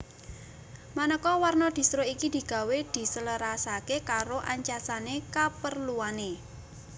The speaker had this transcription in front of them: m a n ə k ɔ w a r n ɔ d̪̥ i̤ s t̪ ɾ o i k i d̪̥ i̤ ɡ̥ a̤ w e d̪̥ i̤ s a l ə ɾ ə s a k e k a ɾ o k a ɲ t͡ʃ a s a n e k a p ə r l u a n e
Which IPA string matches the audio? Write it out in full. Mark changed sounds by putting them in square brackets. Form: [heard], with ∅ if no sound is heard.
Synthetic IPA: m a n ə k ɔ w a r n ɔ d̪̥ i̤ s t̪ ɾ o i k i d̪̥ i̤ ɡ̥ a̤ w e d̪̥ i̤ s [ə] l ə ɾ [a] s a k e k a ɾ o [ʔ] a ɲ t͡ʃ a s a n e k a p ə r l u a n e

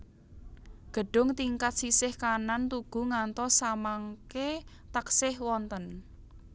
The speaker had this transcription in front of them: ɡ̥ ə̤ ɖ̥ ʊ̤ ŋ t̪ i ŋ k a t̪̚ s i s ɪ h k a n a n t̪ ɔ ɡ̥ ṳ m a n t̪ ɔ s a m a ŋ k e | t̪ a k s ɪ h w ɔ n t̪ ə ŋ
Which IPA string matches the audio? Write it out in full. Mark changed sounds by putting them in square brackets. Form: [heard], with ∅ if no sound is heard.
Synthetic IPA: ɡ̥ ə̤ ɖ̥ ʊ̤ ŋ t̪ i ŋ k a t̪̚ s i s ɪ h k a n a n t̪ [u] ɡ̥ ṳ [ŋ] a n t̪ ɔ s a m a ŋ k e | t̪ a k s ɪ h w ɔ n t̪ ə [n]

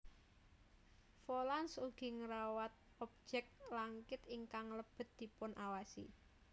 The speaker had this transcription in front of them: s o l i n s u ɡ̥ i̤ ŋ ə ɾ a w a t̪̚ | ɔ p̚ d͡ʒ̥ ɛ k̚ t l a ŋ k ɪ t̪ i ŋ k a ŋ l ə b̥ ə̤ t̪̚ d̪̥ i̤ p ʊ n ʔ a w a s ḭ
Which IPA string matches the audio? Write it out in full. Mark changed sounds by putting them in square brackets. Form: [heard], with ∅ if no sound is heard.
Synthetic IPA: [f] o l [a] n s u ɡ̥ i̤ ŋ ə ɾ a w a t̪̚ | ɔ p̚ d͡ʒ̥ ɛ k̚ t l a ŋ k ɪ t̪ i ŋ k a ŋ l ə b̥ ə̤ t̪̚ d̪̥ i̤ p ʊ n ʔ a w a s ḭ

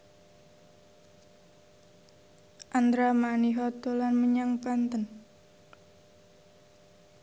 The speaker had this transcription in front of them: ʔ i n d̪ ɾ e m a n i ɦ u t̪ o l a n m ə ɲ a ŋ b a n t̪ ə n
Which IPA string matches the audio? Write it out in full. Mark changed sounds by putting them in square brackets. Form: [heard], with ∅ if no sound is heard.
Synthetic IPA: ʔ [a] n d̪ ɾ [a] m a n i ɦ [ɔ] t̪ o l a n m ə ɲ a ŋ [p] a n t̪ ə n

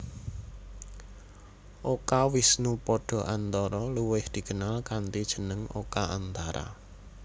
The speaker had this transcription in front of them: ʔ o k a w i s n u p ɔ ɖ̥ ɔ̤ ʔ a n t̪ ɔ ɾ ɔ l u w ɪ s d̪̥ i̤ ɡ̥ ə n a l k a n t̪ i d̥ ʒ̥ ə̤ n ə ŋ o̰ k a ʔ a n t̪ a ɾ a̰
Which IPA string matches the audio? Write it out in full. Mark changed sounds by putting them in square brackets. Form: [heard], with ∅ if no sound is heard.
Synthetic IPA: ʔ o k a w i s n u p ɔ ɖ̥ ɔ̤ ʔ a n t̪ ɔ ɾ ɔ l u w ɪ [h] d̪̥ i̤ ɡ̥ ə n a l k a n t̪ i d̥ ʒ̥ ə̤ n ə ŋ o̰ k a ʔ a n t̪ a ɾ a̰

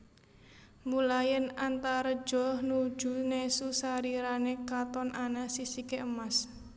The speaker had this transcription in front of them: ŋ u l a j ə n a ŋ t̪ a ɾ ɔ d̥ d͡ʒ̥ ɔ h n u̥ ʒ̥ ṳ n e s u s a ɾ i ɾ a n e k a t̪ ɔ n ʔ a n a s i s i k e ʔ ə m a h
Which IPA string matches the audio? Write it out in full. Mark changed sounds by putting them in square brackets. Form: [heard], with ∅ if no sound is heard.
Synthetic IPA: [m] u l a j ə n a [n] t̪ a ɾ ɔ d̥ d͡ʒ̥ ɔ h n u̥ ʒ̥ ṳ n e s u s a ɾ i ɾ a n e k a t̪ ɔ n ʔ a n a s i s i k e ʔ ə m a [s]

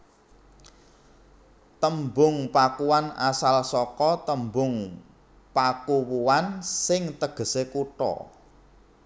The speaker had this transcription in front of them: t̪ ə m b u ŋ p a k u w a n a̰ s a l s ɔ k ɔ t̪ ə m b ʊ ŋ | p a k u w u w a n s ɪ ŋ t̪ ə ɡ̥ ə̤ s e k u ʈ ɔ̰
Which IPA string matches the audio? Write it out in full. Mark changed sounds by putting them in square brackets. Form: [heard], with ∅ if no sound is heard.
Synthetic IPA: t̪ ə m b [ʊ] ŋ p a k u w a n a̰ s a l s ɔ k ɔ t̪ ə m b ʊ ŋ | p a k u w u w a n s ɪ ŋ t̪ ə ɡ̥ ə̤ s e k u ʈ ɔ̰

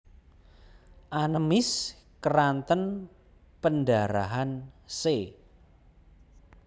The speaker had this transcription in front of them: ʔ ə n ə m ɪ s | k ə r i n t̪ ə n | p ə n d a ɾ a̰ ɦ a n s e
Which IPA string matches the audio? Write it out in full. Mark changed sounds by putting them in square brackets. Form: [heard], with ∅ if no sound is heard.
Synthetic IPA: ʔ [a] n ə m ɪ s | k ə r [a] n t̪ ə n | p ə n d a ɾ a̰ ɦ a n s e

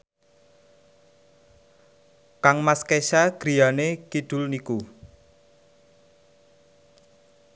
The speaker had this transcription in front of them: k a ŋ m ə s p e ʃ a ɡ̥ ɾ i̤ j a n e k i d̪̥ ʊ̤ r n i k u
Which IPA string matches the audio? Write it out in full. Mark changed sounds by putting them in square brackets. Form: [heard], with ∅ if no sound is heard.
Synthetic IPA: k a ŋ m [a] s [k] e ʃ a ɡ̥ ɾ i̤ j a n e k i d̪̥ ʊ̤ [l] n i k u

